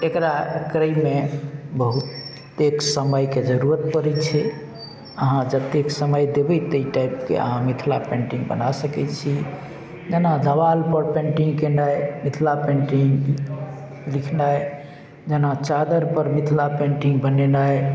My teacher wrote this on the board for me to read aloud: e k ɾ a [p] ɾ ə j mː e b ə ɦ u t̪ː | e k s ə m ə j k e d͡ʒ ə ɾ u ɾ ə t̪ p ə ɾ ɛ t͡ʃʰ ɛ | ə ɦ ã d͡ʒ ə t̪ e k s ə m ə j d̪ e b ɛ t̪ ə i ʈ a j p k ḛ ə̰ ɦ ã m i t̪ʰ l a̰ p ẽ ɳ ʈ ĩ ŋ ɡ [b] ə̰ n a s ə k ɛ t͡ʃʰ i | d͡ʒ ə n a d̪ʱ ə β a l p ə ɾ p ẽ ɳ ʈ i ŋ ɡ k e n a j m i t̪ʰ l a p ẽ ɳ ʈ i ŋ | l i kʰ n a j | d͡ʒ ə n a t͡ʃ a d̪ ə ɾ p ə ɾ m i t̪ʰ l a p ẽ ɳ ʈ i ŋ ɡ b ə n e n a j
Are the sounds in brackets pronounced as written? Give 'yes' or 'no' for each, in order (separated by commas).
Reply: no, yes